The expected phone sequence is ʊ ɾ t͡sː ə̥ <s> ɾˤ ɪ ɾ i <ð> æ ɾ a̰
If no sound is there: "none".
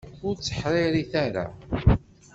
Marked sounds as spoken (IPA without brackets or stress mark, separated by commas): ħ, θ